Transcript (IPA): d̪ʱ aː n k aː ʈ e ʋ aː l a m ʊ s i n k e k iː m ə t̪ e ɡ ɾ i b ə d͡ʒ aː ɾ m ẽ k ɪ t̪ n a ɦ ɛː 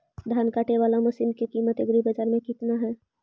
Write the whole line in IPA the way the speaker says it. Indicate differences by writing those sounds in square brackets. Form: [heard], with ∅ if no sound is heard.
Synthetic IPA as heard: d̪ʱ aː n k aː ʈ e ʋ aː l a m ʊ s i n k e k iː m ə t̪ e ɡ ɾ i b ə d͡ʒ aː ɾ m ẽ k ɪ t̪ n a ɦ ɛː